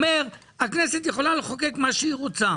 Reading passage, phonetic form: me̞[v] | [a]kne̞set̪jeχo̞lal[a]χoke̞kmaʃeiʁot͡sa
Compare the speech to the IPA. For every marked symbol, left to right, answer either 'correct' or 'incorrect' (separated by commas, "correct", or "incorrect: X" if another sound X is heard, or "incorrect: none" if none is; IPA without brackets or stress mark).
incorrect: ʁ, correct, incorrect: e